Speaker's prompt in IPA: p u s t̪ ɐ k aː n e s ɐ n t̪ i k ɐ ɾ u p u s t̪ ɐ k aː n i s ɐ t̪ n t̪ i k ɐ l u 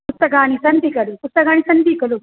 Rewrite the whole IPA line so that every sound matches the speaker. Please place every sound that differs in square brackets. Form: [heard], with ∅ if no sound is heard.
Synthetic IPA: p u s t̪ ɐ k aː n [i] s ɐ n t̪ i k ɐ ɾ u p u s t̪ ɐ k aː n i s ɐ [∅] n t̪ i k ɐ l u